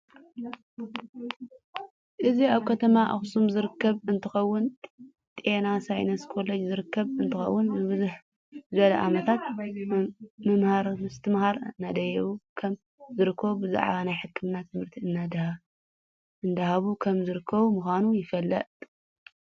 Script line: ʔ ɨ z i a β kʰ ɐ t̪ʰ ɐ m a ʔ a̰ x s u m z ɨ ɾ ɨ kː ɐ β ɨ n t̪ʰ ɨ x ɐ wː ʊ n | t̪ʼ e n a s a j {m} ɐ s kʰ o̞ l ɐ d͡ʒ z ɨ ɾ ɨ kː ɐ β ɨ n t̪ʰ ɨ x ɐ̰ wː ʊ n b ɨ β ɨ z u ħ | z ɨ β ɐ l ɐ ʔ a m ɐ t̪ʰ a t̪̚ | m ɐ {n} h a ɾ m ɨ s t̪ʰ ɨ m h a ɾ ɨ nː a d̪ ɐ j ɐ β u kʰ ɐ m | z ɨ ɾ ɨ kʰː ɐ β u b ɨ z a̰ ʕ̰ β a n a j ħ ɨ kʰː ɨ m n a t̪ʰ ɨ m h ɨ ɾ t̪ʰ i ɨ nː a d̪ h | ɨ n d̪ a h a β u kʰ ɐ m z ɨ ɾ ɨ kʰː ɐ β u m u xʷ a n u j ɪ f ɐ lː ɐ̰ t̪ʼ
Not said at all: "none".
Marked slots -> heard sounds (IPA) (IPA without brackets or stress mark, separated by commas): n, m